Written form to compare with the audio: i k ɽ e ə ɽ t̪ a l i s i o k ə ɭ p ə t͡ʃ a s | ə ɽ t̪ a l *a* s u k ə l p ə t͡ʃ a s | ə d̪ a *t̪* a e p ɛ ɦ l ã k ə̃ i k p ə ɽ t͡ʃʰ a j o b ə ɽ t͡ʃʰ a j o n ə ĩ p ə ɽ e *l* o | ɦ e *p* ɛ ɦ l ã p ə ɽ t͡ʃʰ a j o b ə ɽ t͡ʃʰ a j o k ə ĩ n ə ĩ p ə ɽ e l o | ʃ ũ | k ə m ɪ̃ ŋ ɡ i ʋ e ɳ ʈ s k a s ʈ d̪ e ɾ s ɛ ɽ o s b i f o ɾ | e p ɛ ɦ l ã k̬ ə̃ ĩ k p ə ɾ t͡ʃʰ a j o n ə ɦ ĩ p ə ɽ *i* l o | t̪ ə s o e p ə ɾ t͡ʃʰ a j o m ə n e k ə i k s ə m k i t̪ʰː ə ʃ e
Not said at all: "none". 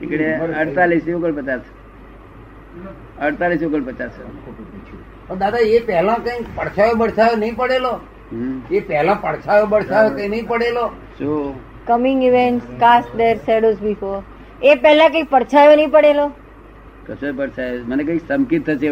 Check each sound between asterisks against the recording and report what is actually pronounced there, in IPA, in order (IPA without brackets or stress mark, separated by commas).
i, d̪, l, p, e